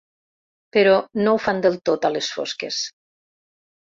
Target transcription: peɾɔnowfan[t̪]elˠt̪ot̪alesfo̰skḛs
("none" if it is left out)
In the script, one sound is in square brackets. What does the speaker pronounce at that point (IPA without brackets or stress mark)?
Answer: d̪